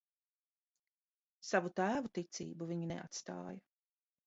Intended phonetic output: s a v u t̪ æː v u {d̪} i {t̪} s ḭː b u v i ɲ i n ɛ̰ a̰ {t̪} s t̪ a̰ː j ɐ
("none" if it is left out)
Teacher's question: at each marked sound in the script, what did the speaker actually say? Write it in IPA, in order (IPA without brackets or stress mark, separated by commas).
t̪, t̪, t̪